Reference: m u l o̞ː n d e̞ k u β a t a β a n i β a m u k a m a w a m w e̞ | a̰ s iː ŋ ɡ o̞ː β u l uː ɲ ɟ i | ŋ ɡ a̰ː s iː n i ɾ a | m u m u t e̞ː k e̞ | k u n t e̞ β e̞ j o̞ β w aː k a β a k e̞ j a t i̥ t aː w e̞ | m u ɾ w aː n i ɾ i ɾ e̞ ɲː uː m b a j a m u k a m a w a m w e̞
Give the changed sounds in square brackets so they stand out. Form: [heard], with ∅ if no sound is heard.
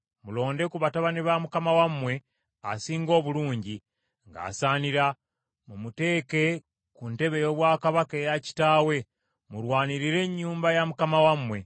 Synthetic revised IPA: m u l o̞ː n d e̞ k u β a t a β a n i β a m u k a m a w a m w e̞ | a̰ s iː ŋ ɡ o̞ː β u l uː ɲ ɟ i | ŋ ɡ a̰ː s [aː] n i ɾ a | m u m u t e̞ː k e̞ | k u n t e̞ β e̞ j o̞ β w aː k a β a k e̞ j a [c] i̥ t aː w e̞ | m u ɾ w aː n i ɾ i ɾ e̞ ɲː uː m b a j a m u k a m a w a m w e̞